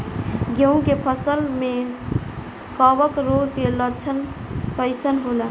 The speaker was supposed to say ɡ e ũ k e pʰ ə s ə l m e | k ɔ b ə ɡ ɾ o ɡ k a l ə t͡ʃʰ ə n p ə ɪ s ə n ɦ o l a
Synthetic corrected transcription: ɡ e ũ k e pʰ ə s ə l m e | k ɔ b ə k ɾ o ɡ k e l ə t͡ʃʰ ə n k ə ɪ s ə n ɦ o l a